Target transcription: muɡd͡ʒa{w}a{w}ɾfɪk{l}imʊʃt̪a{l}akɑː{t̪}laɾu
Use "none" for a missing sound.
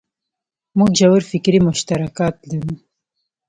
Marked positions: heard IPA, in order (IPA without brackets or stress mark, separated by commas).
w, none, ɾ, ɾ, t̪